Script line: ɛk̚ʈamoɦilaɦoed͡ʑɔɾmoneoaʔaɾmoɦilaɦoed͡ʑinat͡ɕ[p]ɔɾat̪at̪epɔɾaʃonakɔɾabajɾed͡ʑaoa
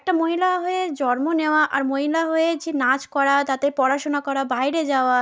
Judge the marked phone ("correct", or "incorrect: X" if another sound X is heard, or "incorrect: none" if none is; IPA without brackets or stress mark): incorrect: k